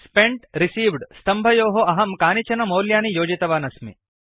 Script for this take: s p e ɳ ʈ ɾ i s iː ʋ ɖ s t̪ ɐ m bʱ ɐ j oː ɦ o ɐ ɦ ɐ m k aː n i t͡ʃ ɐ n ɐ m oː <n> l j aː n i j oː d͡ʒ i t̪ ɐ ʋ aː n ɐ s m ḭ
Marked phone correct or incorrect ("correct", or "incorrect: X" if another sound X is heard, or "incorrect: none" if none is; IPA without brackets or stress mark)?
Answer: incorrect: none